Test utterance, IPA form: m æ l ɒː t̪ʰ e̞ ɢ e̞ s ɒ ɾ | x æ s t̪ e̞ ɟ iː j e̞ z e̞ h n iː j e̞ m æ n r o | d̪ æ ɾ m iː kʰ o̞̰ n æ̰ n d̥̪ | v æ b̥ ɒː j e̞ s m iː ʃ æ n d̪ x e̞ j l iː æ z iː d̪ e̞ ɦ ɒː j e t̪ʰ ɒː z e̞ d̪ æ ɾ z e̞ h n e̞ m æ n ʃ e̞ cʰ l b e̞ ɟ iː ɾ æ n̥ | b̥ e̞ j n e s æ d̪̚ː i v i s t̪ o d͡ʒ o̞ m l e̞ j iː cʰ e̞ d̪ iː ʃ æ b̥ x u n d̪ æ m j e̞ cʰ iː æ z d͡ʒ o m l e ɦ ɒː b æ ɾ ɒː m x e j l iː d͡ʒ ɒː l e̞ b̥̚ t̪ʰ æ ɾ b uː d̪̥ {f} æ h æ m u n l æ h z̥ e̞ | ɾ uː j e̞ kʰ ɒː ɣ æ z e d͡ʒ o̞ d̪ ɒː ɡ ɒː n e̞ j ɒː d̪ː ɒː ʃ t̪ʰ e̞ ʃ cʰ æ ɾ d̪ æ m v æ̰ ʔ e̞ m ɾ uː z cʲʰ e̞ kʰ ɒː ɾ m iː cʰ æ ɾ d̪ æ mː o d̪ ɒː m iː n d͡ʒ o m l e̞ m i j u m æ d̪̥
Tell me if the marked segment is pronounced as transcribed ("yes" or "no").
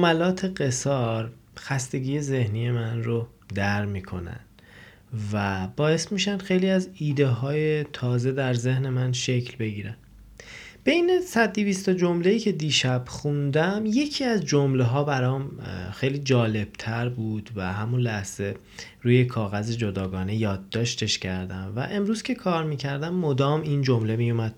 no